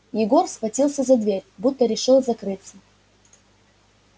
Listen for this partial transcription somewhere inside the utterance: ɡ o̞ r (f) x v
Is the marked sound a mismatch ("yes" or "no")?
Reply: yes